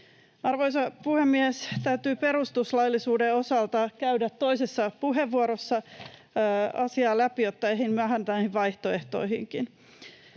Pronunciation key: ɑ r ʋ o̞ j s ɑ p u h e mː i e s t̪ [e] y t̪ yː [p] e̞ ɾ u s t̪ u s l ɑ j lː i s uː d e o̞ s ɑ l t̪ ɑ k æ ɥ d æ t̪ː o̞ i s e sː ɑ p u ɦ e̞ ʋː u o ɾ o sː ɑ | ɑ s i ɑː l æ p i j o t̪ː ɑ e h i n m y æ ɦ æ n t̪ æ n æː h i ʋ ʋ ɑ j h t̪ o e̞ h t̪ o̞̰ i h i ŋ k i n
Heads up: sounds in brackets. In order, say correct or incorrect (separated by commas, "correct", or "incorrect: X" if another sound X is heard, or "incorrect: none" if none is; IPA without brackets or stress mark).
incorrect: æ, correct